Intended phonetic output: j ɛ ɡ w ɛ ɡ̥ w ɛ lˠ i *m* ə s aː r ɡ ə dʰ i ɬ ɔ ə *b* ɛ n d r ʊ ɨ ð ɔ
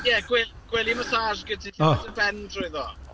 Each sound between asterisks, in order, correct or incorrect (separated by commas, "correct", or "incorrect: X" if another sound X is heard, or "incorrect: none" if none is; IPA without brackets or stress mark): correct, correct